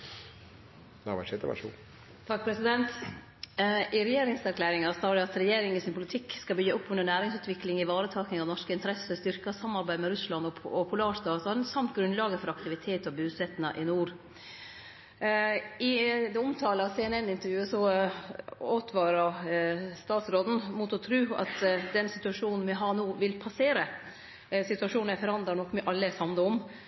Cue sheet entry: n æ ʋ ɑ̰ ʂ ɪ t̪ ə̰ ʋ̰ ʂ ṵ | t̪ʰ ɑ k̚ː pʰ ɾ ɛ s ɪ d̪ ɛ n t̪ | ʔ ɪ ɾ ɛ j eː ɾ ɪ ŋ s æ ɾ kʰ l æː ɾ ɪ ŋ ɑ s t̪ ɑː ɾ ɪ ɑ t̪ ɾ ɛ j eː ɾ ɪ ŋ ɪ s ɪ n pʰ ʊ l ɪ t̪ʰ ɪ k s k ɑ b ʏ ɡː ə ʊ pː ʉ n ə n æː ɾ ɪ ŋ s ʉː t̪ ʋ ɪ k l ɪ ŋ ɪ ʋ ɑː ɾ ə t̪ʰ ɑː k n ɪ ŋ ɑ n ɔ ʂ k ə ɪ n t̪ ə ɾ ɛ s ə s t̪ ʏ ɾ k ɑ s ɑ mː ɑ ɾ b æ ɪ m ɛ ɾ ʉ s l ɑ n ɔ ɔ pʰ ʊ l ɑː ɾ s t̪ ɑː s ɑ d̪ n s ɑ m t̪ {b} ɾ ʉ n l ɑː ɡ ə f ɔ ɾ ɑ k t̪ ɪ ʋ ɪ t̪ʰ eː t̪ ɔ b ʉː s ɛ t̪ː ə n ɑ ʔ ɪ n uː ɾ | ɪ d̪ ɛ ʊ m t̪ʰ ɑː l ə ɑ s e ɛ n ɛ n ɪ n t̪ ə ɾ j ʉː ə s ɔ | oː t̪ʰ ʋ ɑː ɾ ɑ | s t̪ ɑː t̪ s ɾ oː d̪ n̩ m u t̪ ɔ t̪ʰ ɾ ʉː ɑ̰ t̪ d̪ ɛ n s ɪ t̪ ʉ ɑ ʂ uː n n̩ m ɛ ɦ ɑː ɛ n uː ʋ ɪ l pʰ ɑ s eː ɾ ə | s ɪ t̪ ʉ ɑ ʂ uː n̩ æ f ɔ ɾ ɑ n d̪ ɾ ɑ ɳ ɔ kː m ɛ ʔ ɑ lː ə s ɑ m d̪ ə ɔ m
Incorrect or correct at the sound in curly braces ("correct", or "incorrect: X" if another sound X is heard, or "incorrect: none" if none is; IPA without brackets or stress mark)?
incorrect: ɡ